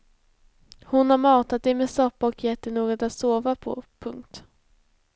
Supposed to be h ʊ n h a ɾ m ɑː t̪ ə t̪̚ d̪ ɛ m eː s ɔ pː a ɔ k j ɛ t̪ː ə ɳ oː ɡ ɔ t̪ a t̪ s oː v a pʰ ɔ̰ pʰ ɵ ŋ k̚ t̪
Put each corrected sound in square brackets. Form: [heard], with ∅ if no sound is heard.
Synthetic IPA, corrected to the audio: h ʊ n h a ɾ m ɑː t̪ [a] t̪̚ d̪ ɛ m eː s ɔ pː a ɔ k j ɛ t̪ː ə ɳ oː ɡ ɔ t̪ a t̪ s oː v a pʰ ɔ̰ pʰ ɵ ŋ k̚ t̪